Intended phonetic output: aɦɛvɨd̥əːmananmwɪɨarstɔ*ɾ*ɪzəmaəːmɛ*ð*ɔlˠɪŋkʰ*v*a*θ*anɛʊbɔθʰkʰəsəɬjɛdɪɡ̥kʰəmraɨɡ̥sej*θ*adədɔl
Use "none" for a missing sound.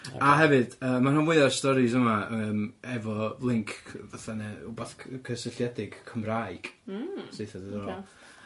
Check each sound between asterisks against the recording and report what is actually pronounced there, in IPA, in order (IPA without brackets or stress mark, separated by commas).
ɾ, v, v, θ, θ